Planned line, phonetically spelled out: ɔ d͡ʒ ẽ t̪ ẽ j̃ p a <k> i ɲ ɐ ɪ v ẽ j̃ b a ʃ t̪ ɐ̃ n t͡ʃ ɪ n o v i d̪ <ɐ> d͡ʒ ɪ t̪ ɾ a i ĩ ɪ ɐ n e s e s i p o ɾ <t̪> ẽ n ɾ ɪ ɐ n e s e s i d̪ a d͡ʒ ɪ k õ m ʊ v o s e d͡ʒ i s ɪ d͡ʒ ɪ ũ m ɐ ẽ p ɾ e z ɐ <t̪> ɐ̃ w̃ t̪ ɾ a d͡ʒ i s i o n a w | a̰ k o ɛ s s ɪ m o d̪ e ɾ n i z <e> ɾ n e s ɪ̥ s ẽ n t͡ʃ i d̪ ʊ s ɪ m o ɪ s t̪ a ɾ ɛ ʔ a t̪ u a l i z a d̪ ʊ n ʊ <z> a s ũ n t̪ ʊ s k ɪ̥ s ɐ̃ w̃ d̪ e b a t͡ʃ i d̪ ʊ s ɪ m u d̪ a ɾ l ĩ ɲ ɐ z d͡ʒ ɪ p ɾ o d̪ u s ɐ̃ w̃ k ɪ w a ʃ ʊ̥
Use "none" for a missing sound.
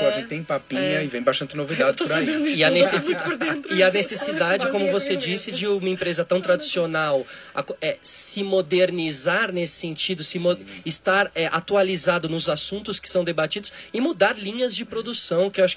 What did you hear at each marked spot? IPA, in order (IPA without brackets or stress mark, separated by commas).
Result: p, a, d̪, t̪, a, z